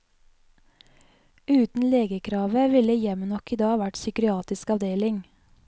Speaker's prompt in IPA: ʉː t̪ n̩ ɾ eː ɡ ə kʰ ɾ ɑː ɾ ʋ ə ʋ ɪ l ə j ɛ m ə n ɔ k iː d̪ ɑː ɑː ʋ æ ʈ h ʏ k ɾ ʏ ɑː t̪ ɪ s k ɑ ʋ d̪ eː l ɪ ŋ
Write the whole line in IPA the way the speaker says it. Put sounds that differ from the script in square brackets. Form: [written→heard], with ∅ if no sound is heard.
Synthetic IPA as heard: ʉː t̪ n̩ [ɾ→l] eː ɡ ə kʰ ɾ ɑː [ɾ→∅] ʋ ə ʋ ɪ l ə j ɛ m ə n ɔ k iː d̪ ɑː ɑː ʋ æ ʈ [h→s] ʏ k ɾ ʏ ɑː t̪ ɪ s k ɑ ʋ d̪ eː l ɪ ŋ